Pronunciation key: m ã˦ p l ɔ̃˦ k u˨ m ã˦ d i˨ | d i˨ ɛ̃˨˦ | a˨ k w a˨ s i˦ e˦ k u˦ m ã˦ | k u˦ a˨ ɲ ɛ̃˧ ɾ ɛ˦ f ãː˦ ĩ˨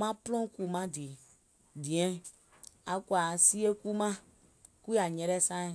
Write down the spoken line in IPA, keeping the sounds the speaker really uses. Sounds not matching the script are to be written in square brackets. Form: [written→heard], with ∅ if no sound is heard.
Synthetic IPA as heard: m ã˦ p l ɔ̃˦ k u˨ m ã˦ d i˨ | d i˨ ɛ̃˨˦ | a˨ k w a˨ s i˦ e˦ k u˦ m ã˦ | k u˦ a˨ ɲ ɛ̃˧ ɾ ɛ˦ [f→s] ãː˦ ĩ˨